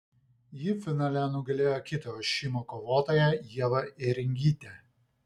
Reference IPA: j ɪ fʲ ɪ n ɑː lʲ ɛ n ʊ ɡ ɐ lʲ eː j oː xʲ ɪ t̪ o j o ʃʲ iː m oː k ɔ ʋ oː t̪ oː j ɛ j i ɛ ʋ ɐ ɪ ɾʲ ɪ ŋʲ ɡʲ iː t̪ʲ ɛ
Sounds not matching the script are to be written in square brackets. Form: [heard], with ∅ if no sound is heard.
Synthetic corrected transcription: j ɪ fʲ ɪ n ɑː lʲ ɛ n ʊ ɡ ɐ lʲ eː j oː [kʲ] ɪ t̪ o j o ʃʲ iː m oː k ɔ ʋ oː t̪ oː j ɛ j i ɛ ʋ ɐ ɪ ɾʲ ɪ ŋʲ ɡʲ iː t̪ʲ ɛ